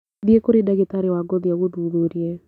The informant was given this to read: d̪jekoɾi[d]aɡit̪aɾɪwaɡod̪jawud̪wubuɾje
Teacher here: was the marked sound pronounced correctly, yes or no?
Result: yes